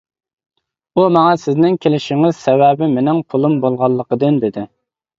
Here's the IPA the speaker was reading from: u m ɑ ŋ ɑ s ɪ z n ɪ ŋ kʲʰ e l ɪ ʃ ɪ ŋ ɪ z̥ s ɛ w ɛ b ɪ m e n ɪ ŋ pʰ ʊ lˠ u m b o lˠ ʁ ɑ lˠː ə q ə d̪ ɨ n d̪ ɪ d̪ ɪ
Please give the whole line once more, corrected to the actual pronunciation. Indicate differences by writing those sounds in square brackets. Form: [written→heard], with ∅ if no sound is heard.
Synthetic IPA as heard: u m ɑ ŋ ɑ s ɪ z n ɪ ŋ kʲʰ e l ɪ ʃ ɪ ŋ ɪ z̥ s ɛ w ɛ b ɪ m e n ɪ ŋ pʰ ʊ lˠ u m b o lˠ ʁ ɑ lˠː ə q ə d̪ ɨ n d̪ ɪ d̪ ɪ